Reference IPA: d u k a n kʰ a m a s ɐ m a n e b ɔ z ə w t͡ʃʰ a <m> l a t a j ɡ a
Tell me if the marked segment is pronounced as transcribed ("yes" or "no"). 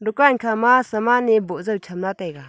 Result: yes